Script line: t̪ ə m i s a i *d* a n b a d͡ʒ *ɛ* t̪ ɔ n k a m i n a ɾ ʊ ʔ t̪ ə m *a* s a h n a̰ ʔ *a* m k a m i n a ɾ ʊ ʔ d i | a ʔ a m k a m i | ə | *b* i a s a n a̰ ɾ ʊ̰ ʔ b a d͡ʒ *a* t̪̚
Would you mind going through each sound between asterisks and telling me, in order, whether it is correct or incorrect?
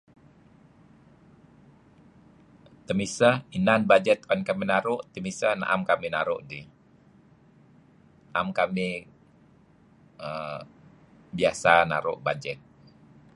incorrect, correct, incorrect, correct, correct, incorrect

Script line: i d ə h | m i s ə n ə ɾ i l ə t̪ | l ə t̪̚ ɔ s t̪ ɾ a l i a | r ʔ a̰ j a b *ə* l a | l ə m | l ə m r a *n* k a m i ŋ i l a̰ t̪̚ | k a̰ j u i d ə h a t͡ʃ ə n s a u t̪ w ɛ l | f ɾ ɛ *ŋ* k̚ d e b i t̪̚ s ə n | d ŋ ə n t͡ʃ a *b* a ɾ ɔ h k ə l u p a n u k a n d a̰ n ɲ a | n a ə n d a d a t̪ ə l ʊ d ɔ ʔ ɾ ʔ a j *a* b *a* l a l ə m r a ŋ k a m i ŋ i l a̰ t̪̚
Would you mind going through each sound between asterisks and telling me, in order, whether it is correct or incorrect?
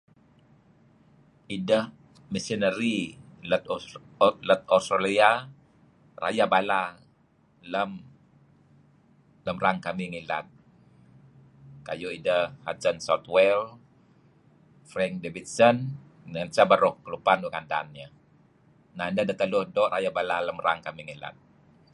incorrect, incorrect, correct, correct, correct, correct

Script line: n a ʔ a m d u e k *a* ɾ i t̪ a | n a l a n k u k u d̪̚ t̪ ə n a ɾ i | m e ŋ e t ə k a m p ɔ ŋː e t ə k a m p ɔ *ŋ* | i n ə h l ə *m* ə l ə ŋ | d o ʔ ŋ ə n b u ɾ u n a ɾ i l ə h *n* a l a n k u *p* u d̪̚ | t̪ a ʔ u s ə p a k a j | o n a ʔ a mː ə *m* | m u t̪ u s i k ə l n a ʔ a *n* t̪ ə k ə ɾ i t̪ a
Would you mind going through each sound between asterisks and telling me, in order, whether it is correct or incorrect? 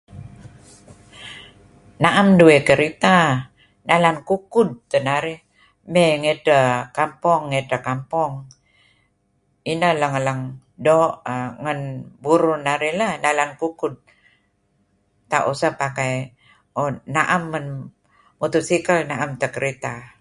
incorrect, correct, incorrect, correct, incorrect, incorrect, incorrect

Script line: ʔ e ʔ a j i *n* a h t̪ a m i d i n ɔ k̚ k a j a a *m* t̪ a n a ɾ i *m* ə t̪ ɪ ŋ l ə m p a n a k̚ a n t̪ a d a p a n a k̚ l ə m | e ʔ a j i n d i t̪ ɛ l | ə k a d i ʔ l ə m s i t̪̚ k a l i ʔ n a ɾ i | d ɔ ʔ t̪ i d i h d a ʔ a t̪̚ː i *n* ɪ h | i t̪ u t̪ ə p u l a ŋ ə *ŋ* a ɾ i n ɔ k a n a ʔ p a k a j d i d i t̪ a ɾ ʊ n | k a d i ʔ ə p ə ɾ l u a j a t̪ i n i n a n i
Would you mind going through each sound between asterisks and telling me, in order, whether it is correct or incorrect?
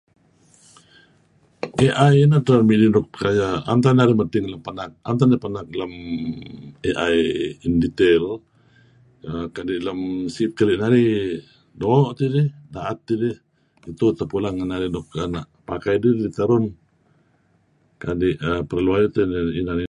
correct, incorrect, correct, incorrect, incorrect

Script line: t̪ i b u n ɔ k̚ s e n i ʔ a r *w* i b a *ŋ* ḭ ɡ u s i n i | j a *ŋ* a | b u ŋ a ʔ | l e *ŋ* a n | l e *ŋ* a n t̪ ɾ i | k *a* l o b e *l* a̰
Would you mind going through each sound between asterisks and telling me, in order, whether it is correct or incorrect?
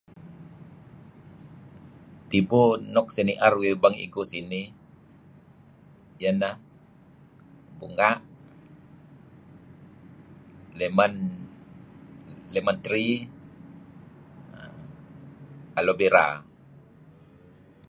correct, correct, incorrect, incorrect, incorrect, correct, incorrect

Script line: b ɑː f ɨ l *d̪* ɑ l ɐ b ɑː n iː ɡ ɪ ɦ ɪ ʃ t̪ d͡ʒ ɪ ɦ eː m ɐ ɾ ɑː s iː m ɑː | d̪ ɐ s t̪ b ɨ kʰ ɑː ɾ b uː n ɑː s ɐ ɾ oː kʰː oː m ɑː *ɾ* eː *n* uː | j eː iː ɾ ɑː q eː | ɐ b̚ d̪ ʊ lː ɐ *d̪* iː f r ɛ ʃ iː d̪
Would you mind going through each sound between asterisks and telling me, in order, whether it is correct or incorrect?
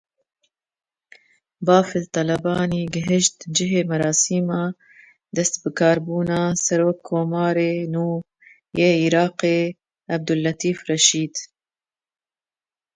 incorrect, correct, correct, incorrect

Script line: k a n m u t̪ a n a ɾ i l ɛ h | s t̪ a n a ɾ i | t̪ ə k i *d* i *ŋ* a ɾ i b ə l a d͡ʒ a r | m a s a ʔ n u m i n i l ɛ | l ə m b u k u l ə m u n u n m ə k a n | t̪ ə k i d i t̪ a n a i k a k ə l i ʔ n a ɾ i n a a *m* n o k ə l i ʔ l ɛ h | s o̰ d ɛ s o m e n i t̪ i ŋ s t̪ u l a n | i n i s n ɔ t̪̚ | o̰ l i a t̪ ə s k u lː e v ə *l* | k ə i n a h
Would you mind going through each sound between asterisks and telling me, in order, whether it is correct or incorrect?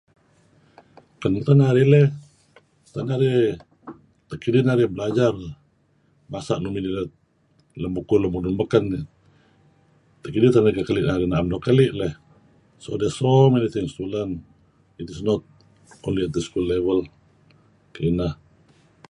correct, incorrect, correct, correct

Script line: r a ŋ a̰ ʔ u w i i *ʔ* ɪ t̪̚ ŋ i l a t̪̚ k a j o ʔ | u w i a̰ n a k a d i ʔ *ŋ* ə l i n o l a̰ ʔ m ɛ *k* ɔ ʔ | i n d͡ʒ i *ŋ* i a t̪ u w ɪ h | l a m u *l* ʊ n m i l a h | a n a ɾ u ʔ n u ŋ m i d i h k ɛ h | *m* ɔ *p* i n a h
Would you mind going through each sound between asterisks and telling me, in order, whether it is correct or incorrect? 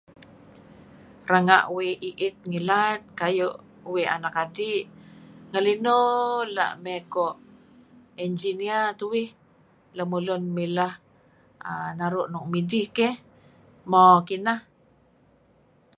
correct, correct, correct, incorrect, correct, correct, incorrect

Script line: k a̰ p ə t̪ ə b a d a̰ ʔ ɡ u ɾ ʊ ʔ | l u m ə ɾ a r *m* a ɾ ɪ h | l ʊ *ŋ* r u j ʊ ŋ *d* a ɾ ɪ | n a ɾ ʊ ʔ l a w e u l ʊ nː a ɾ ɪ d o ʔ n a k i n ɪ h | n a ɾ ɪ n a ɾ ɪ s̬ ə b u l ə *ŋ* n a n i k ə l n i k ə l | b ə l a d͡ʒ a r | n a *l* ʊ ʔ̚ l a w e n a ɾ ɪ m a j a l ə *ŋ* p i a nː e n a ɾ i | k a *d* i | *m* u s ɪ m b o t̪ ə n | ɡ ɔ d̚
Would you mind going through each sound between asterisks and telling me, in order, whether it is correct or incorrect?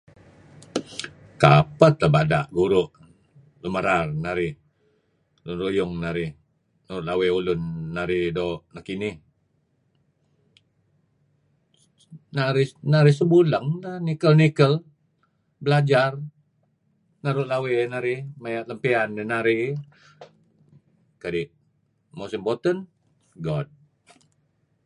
incorrect, incorrect, incorrect, correct, incorrect, incorrect, correct, correct

